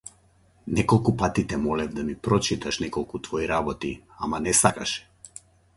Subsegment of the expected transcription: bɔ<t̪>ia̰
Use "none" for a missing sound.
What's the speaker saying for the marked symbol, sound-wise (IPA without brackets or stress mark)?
t̪